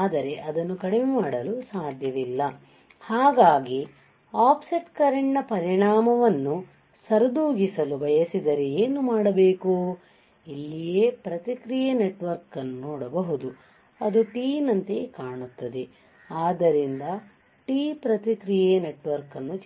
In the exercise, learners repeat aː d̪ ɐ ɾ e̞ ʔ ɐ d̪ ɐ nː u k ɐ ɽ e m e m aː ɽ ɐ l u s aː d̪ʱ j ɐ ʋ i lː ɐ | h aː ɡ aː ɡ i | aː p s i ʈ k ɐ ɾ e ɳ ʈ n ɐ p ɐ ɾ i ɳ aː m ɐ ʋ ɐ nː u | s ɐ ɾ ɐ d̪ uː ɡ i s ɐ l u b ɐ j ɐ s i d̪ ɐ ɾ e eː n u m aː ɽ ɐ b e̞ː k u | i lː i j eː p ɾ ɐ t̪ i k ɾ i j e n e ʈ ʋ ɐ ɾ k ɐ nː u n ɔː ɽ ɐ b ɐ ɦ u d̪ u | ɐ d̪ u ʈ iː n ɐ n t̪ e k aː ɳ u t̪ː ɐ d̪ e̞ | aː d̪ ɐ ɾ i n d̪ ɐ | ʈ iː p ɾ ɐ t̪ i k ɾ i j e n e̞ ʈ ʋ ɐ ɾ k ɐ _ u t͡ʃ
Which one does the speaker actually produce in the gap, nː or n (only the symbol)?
nː